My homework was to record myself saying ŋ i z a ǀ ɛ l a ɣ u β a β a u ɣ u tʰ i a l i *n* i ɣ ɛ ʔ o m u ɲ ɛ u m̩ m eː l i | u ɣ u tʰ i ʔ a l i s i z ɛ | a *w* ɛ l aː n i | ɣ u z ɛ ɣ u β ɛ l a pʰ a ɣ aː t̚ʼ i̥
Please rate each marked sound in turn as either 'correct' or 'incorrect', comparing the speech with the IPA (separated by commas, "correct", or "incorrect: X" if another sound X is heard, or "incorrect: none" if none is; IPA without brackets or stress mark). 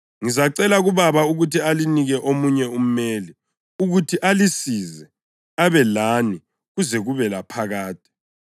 correct, incorrect: β